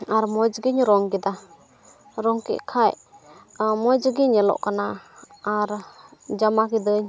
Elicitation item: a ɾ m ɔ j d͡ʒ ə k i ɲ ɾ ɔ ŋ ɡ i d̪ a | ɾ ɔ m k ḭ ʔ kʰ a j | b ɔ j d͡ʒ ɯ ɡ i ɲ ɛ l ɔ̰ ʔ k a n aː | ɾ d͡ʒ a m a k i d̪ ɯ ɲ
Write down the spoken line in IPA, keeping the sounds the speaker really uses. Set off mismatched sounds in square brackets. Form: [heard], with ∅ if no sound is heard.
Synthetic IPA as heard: a ɾ m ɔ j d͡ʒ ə [ɡ] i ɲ ɾ ɔ ŋ ɡ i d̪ a | ɾ ɔ [ŋ] k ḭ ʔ kʰ a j | [m] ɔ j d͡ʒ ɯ ɡ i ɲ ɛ l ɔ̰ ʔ k a n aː | ɾ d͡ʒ a m a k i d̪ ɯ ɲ